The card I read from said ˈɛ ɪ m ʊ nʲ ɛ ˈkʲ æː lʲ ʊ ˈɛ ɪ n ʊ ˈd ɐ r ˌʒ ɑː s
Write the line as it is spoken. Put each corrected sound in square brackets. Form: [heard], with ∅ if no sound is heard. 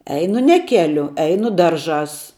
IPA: ˈɛ ɪ [n] ʊ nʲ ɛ ˈkʲ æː lʲ ʊ ˈɛ ɪ n ʊ ˈd ɐ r ˌʒ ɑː s